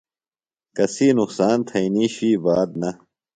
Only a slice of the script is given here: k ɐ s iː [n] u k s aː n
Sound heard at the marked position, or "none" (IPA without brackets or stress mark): n